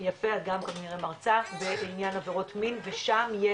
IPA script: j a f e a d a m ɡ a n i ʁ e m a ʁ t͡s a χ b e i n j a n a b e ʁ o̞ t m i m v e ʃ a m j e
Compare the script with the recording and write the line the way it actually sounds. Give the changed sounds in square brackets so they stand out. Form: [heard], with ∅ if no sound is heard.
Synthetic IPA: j a f e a [ɡ] a m [k] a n i ʁ e m a ʁ t͡s a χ b e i n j a n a [v] e ʁ o̞ t m i [n] v e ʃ a m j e